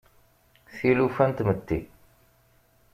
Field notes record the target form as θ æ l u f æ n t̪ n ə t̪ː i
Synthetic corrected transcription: θ i l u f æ n t̪ m ə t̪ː i